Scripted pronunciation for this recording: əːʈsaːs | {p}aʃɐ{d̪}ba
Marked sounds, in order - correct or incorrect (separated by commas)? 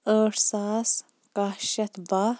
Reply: incorrect, incorrect